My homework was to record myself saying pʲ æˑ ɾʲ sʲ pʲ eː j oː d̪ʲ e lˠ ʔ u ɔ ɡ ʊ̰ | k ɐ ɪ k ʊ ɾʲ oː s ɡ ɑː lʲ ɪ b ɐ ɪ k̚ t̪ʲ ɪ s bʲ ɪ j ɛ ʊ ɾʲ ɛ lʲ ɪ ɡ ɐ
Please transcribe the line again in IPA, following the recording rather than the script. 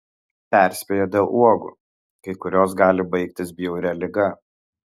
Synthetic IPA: pʲ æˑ ɾʲ sʲ pʲ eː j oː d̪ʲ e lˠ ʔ u ɔ ɡ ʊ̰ | k ɐ ɪ k ʊ ɾʲ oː s ɡ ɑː lʲ ɪ b ɐ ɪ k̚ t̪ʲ ɪ s bʲ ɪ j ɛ ʊ ɾʲ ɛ lʲ ɪ ɡ ɐ